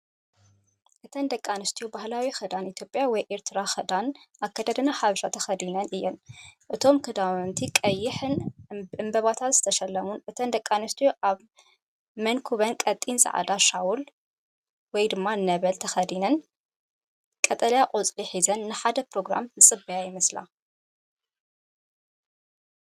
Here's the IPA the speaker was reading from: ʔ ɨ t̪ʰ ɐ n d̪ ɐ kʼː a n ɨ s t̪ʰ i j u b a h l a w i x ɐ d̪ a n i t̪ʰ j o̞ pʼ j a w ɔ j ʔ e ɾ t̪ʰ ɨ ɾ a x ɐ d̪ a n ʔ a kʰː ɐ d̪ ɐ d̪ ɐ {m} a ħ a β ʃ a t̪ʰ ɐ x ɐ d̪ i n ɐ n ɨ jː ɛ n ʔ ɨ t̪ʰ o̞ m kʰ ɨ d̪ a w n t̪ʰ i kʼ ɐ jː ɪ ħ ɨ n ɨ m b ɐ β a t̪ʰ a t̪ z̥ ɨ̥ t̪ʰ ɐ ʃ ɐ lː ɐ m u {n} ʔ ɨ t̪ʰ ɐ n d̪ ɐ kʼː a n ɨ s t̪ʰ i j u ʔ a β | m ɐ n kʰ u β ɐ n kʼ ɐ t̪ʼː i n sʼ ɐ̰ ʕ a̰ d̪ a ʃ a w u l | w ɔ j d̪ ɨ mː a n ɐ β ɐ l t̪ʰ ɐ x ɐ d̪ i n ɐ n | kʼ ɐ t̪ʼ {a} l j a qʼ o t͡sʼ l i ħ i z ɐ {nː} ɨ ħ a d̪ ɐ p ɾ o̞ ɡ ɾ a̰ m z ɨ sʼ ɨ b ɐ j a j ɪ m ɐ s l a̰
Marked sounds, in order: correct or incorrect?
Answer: incorrect, correct, incorrect, correct

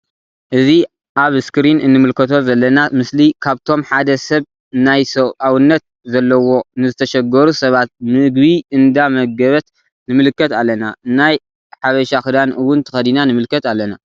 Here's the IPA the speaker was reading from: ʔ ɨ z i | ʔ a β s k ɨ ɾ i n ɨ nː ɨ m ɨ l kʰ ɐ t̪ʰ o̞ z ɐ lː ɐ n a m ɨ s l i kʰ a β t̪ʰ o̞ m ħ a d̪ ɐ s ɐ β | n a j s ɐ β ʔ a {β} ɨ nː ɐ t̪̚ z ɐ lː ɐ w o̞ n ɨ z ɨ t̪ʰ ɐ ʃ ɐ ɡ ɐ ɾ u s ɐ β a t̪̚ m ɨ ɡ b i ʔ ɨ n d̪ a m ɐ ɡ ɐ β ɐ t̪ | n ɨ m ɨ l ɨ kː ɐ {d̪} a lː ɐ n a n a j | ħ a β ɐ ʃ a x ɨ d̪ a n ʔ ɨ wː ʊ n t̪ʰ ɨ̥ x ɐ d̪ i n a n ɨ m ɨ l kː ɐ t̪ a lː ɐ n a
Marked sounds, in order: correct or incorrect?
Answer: incorrect, incorrect

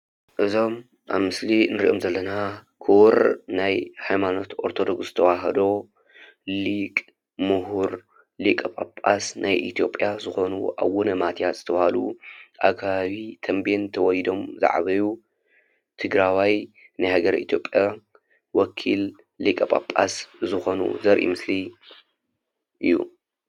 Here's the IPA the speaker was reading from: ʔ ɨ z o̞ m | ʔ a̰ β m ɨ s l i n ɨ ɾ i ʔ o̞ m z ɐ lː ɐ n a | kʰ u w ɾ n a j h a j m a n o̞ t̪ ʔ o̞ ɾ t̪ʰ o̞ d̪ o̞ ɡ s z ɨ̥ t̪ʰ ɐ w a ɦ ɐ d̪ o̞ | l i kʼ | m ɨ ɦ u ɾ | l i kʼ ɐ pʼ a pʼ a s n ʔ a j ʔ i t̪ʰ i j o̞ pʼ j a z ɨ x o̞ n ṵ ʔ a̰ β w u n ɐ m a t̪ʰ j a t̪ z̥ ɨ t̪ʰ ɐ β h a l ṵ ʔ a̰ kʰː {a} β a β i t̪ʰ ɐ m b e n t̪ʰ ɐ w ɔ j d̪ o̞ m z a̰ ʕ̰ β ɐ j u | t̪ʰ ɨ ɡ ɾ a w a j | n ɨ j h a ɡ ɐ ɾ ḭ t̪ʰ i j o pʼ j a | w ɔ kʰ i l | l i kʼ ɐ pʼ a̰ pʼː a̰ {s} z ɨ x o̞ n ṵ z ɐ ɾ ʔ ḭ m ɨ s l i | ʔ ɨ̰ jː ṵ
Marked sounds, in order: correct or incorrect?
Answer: correct, correct

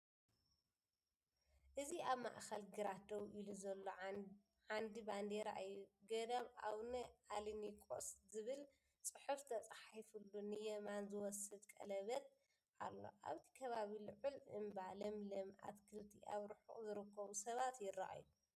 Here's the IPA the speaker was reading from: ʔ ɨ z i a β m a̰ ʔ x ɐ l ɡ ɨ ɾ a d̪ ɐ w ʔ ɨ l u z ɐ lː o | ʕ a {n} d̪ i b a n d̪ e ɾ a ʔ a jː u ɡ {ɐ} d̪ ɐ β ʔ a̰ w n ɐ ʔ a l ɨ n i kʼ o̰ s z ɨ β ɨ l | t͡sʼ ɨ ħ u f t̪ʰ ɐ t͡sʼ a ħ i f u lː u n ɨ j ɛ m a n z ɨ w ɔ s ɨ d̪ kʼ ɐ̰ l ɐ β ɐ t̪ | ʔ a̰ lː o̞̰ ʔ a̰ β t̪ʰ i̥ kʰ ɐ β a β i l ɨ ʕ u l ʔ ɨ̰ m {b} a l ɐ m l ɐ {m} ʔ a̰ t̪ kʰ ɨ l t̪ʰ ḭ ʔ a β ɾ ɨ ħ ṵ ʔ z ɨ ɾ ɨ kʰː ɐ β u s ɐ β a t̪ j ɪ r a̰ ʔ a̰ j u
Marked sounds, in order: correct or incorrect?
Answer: correct, correct, correct, correct

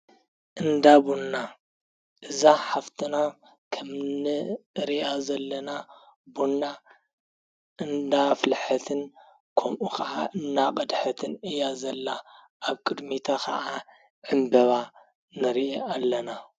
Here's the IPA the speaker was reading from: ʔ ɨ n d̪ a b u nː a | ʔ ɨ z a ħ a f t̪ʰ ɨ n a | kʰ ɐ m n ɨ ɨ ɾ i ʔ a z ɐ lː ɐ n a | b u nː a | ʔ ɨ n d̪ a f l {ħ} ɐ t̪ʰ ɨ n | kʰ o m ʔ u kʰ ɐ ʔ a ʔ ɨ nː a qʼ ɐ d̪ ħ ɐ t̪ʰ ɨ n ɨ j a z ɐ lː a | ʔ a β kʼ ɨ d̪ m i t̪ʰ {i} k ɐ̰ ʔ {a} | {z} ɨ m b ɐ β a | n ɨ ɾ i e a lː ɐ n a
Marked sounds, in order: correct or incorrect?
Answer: correct, incorrect, correct, incorrect

